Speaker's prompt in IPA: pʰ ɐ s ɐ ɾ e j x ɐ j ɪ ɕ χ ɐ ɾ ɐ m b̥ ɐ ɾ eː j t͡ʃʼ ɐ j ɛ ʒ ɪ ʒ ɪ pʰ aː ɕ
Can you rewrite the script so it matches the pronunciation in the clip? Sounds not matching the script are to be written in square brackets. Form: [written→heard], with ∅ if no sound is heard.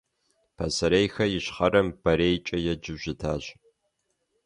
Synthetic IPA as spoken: pʰ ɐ s ɐ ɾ e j x ɐ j ɪ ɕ χ ɐ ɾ ɐ m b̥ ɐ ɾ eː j t͡ʃʼ ɐ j ɛ [ʒ→d͡ʒ] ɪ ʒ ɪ [pʰ→tʰ] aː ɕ